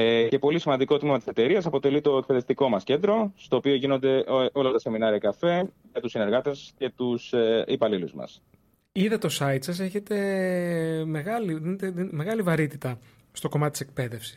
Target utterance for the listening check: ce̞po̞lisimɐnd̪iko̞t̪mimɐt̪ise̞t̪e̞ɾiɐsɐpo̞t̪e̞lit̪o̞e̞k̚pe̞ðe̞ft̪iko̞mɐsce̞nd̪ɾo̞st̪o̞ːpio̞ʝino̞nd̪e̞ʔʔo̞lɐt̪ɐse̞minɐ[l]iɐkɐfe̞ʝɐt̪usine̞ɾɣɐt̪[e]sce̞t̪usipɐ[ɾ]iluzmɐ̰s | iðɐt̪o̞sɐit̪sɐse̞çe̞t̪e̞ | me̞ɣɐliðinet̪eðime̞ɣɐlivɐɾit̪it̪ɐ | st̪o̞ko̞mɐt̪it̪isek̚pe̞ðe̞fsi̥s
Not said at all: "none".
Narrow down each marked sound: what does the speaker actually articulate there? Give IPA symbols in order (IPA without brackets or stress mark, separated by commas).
ɾ, e, l